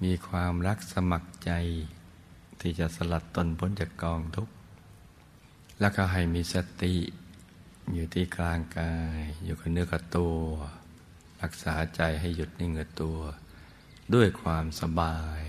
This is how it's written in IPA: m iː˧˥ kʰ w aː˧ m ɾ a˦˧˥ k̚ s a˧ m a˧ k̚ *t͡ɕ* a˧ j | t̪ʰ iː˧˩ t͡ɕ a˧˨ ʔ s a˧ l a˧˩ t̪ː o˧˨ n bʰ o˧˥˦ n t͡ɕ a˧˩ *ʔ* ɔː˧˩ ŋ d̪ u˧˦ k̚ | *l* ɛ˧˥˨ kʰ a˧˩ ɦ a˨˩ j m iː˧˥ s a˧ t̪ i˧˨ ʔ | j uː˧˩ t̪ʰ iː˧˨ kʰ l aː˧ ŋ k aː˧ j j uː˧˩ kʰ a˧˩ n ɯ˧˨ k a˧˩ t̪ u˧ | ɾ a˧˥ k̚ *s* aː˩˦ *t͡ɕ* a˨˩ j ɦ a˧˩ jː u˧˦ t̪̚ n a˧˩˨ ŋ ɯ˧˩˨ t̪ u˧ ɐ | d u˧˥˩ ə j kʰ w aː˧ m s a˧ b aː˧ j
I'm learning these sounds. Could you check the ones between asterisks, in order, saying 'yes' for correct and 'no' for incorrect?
yes, no, yes, yes, yes

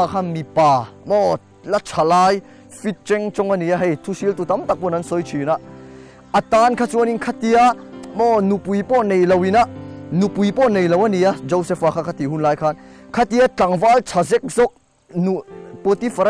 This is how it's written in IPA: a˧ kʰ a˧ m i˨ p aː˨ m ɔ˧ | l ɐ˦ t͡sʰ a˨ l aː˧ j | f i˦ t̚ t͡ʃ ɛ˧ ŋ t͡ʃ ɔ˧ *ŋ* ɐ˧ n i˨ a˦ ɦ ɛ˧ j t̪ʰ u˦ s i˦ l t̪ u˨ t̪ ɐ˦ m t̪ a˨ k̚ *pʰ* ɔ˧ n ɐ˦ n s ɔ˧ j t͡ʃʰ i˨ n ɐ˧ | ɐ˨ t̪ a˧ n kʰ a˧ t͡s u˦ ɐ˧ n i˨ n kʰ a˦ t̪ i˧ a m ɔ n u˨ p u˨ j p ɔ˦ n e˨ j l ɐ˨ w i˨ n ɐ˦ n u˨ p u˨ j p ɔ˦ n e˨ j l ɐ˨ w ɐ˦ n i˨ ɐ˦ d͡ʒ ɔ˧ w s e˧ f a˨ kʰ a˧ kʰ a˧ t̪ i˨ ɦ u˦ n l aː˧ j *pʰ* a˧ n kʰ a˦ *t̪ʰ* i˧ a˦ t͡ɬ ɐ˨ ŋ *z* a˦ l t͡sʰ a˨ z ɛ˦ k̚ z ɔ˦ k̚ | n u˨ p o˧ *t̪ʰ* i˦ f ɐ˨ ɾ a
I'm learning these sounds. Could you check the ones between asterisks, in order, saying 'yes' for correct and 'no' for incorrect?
yes, no, no, no, no, no

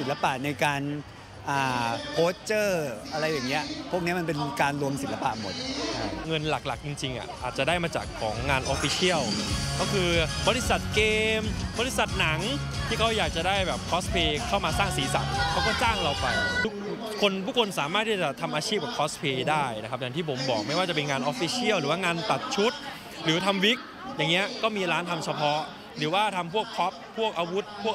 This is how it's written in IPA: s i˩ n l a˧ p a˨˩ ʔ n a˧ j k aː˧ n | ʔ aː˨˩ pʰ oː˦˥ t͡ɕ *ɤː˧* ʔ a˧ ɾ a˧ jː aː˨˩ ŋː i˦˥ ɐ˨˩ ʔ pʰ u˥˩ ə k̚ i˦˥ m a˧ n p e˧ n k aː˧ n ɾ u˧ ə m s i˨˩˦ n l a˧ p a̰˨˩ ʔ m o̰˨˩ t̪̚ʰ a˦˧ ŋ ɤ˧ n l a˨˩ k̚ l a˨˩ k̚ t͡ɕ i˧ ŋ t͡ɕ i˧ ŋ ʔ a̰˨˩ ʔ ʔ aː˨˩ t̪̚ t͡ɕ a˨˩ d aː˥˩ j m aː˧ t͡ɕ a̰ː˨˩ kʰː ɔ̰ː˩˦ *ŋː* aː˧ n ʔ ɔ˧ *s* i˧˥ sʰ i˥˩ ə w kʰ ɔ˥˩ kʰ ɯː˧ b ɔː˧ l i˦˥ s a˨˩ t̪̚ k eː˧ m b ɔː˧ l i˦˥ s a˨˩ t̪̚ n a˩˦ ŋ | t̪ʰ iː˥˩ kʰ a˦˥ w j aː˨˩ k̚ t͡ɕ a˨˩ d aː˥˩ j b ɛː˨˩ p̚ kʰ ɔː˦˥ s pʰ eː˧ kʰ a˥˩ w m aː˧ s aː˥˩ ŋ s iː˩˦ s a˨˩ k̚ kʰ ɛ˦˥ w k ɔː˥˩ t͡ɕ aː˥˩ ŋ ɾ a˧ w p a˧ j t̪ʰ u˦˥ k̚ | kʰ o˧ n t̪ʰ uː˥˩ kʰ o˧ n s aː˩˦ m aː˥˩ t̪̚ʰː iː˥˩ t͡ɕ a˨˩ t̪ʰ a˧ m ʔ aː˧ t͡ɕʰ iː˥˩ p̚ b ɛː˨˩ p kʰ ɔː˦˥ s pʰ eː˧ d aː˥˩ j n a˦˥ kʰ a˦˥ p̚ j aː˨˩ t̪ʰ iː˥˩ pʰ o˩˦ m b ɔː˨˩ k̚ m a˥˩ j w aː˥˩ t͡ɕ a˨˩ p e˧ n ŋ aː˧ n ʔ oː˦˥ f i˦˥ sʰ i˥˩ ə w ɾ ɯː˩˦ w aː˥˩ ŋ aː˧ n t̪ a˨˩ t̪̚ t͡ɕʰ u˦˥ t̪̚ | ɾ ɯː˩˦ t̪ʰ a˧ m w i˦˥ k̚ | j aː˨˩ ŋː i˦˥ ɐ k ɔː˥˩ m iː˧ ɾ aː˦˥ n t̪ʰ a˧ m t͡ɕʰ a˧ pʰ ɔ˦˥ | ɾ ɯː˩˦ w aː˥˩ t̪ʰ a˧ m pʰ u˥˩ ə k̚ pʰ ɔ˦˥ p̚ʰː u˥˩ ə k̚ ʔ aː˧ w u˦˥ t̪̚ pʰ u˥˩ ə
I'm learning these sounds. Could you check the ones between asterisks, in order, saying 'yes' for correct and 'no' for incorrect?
no, yes, no

